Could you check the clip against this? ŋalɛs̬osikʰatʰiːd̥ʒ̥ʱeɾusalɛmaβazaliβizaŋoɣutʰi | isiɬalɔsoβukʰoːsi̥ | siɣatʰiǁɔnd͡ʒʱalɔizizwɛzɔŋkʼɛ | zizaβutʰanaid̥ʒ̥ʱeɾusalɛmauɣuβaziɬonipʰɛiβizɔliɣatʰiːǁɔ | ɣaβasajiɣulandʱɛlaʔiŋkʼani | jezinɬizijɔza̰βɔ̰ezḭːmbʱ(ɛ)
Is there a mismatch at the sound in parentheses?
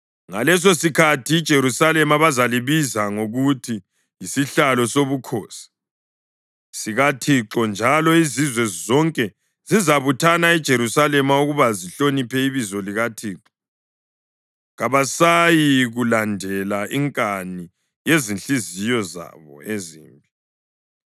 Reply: yes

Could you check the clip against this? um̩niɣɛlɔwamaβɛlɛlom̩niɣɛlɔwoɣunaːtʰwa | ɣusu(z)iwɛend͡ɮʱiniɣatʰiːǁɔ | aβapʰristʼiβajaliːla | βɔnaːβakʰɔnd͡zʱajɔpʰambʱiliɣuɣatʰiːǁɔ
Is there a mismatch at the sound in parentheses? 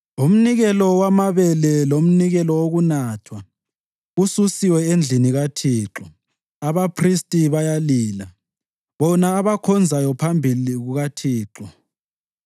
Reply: yes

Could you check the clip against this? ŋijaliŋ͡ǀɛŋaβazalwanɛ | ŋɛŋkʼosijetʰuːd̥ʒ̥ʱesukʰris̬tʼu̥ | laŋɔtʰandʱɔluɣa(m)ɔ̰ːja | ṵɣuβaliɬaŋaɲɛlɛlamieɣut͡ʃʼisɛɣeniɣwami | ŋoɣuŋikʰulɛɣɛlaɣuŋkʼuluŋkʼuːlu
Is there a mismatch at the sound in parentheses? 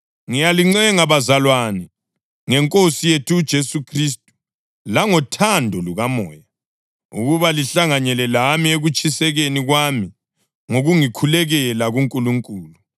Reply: no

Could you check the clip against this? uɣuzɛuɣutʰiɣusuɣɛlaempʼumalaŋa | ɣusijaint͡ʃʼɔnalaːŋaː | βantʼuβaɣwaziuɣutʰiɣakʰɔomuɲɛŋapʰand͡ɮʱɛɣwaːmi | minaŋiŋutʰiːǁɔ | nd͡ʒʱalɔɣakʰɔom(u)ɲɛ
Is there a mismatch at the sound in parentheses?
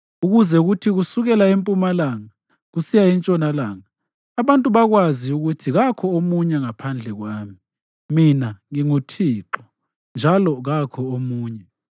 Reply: yes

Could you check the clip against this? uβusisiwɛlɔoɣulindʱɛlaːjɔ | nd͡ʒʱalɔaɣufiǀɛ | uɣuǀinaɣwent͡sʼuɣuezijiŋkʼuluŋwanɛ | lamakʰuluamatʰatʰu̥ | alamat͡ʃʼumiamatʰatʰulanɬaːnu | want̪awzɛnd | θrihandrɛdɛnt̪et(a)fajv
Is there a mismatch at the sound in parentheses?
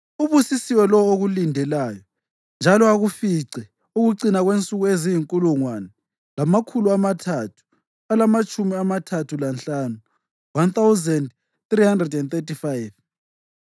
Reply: yes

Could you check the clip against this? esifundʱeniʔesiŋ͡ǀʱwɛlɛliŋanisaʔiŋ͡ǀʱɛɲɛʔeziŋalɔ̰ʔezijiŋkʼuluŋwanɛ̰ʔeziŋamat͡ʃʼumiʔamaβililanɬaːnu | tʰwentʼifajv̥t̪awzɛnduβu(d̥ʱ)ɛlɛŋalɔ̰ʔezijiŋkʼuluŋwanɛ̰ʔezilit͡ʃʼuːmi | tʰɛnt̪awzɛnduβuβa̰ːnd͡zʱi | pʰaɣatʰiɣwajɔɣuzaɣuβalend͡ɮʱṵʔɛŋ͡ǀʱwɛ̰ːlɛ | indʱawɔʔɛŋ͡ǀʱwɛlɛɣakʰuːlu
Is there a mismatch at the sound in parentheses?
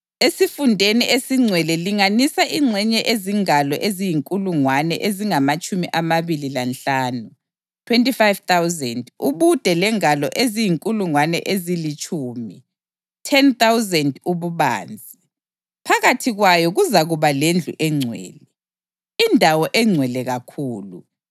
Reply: no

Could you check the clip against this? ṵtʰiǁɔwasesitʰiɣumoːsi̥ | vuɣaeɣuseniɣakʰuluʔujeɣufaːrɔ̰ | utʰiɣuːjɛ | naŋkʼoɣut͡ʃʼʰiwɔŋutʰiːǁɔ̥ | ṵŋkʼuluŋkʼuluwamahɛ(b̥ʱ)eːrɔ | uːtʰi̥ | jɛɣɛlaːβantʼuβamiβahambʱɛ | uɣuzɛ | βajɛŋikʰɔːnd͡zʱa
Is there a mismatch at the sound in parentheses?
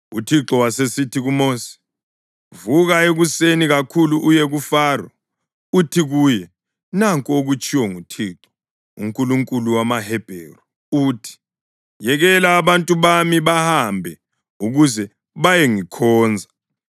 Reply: no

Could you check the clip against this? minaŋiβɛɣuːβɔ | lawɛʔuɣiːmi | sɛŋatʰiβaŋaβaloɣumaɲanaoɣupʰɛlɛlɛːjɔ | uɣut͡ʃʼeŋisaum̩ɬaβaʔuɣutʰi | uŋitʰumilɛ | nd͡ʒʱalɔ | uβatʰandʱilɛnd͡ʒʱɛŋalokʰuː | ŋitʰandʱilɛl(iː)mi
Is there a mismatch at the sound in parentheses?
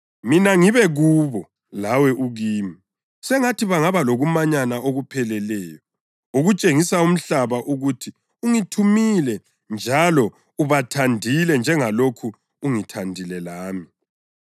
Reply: yes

